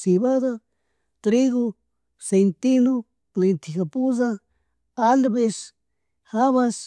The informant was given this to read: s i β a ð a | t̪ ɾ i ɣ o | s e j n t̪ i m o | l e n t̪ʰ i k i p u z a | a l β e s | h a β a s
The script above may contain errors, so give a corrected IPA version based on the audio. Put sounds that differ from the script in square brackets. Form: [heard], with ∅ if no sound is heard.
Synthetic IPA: s i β a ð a | t̪ ɾ i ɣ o | s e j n t̪ i [n] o | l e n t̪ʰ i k [a] p u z a | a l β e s | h a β a s